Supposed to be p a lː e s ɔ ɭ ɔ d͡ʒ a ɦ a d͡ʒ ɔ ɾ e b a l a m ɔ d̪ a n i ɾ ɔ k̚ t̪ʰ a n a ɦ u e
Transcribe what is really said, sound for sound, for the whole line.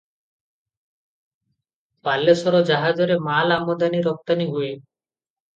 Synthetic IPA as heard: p a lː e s ɔ ɾ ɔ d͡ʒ a ɦ a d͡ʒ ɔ ɾ e m a l a m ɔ d̪ a n i ɾ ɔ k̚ t̪ a n i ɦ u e